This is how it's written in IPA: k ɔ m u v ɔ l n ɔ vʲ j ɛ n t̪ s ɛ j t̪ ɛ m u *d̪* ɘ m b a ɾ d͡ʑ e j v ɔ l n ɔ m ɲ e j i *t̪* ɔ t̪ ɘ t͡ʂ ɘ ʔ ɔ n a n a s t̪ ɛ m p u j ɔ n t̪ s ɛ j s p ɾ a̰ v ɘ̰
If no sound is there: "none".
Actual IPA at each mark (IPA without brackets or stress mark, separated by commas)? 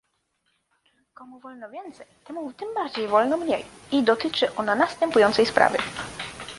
t̪, d̪